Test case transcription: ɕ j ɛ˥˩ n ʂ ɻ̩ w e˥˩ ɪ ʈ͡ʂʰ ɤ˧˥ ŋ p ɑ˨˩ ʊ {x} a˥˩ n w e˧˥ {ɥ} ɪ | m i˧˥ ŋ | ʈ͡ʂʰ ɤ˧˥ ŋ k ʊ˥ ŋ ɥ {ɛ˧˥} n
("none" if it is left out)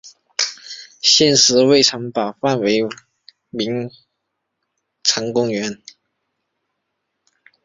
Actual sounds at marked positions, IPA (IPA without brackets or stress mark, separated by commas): f, none, ɛ˧˥